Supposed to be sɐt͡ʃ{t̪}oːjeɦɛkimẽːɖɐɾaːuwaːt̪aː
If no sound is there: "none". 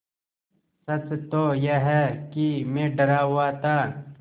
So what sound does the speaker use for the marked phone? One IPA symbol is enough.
t̪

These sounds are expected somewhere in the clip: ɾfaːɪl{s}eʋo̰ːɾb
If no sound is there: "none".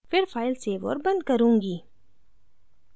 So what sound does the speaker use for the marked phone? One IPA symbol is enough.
s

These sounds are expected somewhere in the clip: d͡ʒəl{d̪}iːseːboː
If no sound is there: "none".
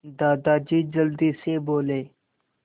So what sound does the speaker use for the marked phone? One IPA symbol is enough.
d̪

